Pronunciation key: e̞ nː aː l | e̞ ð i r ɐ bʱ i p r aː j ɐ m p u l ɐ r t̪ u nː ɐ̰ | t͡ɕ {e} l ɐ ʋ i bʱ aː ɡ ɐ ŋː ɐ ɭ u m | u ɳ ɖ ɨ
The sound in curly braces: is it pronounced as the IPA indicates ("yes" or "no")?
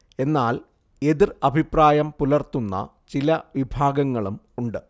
no